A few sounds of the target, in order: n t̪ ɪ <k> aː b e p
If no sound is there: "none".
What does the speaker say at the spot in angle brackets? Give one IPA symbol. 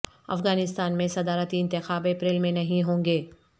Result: x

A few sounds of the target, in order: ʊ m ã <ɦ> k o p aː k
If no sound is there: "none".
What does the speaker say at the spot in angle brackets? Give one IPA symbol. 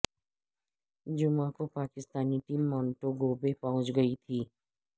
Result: none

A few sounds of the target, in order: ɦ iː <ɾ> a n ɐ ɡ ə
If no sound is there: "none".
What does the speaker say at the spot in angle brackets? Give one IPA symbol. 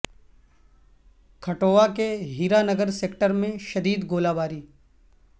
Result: ɾ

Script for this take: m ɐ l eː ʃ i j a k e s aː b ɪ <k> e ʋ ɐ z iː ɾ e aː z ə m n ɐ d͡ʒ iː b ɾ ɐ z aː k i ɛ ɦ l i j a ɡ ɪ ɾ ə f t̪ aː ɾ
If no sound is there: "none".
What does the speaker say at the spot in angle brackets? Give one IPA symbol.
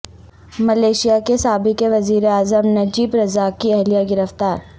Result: k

